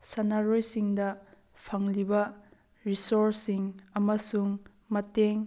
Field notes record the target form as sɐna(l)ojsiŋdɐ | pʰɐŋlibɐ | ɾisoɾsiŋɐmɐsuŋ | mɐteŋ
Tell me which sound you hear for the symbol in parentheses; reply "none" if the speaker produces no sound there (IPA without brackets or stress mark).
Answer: ɾ